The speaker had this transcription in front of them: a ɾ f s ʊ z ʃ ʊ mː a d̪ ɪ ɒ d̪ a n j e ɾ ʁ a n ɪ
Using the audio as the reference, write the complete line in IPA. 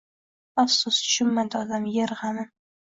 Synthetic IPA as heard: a f s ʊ s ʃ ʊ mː a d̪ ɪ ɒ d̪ a m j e ɾ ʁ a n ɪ